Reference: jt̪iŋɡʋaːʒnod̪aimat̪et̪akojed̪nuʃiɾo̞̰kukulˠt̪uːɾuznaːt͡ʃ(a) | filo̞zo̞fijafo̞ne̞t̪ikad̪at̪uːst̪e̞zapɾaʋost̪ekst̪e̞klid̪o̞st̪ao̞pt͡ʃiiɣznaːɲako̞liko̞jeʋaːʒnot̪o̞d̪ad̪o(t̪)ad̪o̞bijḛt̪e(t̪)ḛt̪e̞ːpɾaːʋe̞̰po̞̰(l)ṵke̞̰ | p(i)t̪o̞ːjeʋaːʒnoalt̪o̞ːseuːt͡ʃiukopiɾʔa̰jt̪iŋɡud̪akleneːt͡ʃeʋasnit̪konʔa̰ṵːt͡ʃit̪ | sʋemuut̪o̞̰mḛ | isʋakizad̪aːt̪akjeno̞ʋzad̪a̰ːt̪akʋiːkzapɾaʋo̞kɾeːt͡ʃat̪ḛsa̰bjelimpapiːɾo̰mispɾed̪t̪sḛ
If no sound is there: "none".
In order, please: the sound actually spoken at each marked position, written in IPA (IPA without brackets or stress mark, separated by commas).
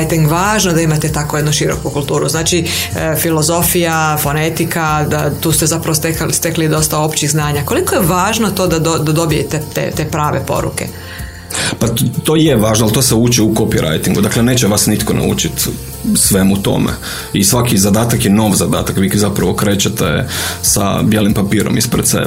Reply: i, d̪, t̪, ɾ, a